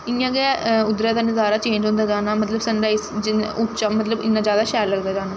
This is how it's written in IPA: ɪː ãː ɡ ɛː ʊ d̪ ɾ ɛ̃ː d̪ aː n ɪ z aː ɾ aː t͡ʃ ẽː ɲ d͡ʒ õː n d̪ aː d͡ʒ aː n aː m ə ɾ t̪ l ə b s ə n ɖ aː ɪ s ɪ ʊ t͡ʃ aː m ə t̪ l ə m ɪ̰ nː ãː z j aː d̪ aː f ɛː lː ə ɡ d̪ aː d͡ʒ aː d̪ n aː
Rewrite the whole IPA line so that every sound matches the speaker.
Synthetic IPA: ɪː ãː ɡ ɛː ʊ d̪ ɾ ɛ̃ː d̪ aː n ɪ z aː ɾ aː t͡ʃ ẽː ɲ d͡ʒ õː n d̪ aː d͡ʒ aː n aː m ə t̪ l ə b s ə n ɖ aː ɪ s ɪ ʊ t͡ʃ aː m ə t̪ l ə b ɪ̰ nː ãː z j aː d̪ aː ʃ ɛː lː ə ɡ d̪ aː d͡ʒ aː n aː